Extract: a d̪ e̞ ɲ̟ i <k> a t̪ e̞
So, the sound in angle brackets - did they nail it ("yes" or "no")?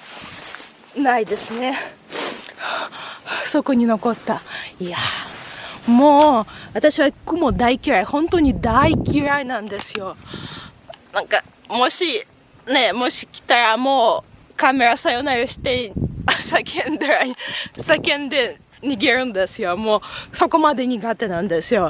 no